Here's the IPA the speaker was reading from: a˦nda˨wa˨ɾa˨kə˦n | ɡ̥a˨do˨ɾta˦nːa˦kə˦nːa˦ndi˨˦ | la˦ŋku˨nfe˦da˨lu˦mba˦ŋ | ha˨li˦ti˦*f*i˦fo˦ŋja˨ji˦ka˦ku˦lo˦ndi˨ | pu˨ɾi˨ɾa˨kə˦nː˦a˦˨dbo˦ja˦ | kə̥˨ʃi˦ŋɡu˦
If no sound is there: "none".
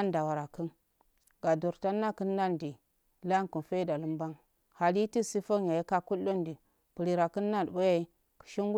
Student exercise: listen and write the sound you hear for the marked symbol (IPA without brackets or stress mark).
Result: s